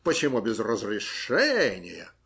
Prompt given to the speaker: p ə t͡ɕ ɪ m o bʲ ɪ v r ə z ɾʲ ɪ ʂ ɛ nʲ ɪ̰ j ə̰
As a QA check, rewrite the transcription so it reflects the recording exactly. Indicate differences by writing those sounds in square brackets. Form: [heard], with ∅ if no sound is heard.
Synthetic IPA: p ə t͡ɕ ɪ m [u] bʲ ɪ [z] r ə z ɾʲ ɪ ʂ ɛ nʲ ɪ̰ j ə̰